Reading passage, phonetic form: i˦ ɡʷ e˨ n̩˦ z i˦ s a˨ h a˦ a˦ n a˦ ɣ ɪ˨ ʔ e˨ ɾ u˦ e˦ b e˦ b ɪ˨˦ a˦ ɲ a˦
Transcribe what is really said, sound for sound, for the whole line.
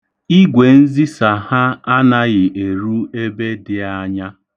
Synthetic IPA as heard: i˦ ɡʷ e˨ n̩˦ z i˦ s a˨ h a˦ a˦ n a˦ ɣ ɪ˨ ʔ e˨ ɾ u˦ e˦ b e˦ d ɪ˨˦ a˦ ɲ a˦